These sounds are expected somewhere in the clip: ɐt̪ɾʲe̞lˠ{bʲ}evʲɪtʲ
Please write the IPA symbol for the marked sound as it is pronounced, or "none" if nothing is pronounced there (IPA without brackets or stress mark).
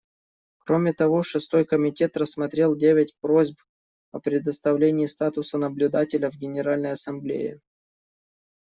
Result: dʲ